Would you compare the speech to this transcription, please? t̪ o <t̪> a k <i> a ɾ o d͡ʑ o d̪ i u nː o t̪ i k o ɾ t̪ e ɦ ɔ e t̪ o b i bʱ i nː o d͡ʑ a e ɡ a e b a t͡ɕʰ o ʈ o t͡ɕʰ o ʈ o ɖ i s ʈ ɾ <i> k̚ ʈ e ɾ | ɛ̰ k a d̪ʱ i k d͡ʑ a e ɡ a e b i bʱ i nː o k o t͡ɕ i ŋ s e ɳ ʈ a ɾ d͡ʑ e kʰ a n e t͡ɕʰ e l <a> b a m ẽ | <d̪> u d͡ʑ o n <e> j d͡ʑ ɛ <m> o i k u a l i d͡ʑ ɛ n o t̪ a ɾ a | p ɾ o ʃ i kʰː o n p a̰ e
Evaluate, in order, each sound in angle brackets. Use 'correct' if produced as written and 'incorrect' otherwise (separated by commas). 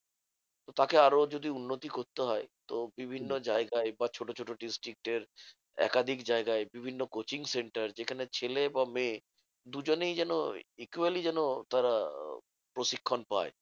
correct, incorrect, correct, incorrect, correct, correct, incorrect